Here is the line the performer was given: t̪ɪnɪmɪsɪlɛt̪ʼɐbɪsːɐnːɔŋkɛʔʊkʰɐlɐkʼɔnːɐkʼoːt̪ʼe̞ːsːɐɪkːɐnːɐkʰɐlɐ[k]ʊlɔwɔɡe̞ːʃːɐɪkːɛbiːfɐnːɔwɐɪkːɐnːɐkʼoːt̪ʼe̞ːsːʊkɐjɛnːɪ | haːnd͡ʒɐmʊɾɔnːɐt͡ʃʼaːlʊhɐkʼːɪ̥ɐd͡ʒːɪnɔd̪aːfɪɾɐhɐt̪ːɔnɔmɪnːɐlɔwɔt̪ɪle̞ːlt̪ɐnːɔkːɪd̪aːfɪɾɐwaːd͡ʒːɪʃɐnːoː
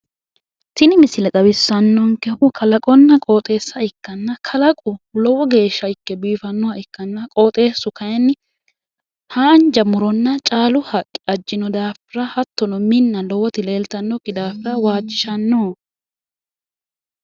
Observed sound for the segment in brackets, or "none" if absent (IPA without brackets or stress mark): kʼ